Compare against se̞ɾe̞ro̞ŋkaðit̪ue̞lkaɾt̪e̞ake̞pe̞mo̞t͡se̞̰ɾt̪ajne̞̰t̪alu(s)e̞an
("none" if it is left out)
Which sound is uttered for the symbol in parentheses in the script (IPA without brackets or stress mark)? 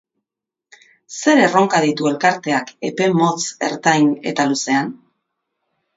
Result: s